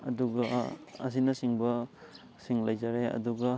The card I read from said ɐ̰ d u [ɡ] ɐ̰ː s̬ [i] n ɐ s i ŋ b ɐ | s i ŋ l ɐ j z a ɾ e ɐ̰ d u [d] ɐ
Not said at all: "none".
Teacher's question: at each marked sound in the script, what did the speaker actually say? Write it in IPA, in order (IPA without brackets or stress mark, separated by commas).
ɡ, i, ɡ